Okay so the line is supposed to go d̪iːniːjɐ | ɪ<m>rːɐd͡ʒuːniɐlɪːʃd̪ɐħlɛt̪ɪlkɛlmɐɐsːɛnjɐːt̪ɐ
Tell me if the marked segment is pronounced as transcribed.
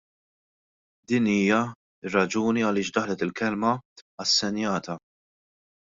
no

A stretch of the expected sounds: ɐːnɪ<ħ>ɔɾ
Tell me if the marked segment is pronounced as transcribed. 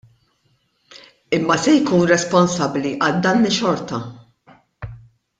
no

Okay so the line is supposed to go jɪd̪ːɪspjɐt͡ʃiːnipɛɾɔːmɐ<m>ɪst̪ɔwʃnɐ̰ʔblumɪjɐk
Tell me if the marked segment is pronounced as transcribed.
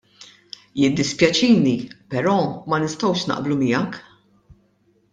no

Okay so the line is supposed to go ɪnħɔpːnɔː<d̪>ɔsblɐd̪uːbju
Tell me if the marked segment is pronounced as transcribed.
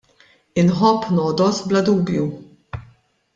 yes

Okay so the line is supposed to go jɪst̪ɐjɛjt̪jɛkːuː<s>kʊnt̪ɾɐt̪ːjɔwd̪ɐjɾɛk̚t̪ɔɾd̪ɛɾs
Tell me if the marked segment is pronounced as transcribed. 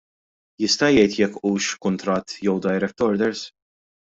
no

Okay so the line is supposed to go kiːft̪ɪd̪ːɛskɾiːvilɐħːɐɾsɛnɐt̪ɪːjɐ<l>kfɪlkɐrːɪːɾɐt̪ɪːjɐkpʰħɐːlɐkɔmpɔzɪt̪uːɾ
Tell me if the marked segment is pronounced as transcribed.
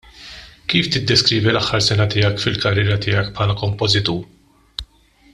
no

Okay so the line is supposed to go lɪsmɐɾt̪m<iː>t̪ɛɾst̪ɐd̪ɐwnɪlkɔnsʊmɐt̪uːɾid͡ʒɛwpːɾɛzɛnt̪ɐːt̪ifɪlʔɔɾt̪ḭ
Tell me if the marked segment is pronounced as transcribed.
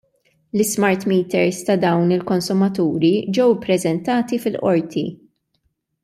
yes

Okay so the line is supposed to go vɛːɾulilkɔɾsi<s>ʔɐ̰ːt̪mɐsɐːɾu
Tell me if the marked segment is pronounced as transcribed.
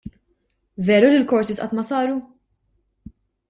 yes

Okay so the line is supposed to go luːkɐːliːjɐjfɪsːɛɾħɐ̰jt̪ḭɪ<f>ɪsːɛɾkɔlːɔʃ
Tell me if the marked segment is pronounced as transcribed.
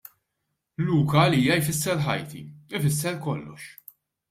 yes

